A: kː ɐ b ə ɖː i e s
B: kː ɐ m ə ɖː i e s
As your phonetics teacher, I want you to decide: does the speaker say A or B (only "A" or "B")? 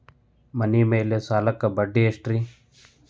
A